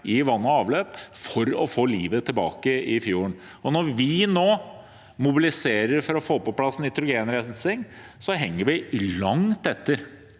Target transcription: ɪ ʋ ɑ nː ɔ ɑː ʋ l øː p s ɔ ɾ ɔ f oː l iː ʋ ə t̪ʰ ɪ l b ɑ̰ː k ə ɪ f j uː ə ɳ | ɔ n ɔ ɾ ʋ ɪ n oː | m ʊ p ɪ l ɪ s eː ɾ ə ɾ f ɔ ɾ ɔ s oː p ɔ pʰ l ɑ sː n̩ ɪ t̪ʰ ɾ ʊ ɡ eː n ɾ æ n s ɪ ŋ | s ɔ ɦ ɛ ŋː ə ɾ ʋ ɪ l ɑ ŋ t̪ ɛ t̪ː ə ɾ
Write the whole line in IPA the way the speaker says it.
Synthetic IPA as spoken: ɪ ʋ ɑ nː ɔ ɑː ʋ l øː p f ɔ ɾ ɔ f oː l iː ʋ ə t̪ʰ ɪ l b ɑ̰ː k ə ɪ f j uː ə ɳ | ɔ n ɔ ɾ ʋ ɪ n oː | m ʊ b ɪ l ɪ s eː ɾ ə ɾ f ɔ ɾ ɔ f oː p ɔ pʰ l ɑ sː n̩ ɪ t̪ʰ ɾ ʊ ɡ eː n ɾ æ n s ɪ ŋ | s ɔ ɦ ɛ ŋː ə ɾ ʋ ɪ l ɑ ŋ t̪ ɛ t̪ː ə ɾ

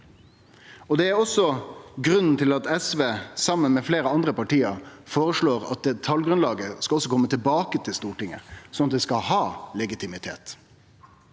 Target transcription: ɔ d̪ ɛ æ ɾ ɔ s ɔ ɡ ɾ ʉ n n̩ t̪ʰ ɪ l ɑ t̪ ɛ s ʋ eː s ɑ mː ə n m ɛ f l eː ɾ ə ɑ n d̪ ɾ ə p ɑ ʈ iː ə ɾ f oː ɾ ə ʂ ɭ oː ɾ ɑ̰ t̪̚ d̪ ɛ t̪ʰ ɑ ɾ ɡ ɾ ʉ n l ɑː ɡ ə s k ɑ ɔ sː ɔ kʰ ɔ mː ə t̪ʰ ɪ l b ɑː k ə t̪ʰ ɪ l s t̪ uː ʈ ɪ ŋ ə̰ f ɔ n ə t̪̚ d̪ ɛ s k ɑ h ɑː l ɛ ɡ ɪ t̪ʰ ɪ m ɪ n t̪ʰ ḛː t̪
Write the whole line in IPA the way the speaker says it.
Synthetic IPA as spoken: ɔ d̪ ɛ æ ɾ ɔ s ɔ ɡ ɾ ʉ n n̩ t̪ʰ ɪ l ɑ t̪ ɛ s ʋ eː s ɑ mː ə n m ɛ f l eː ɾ ə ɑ n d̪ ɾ ə p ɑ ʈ iː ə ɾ f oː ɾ ə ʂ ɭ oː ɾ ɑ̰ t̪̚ d̪ ɛ t̪ʰ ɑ l ɡ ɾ ʉ n l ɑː ɡ ə s k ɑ ɔ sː ɔ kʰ ɔ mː ə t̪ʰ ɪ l b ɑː k ə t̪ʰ ɪ l s t̪ uː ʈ ɪ ŋ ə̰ s ɔ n ɑ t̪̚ d̪ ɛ s k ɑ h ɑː l ɛ ɡ ɪ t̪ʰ ɪ m ɪ t̪ʰ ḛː t̪

